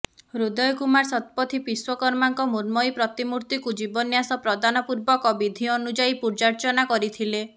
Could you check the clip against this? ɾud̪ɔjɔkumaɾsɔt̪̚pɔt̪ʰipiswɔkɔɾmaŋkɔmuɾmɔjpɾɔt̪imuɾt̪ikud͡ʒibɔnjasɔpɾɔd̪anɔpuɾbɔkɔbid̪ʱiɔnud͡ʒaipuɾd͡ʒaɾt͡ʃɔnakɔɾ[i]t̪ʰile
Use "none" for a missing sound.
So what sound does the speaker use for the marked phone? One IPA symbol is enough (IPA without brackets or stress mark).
i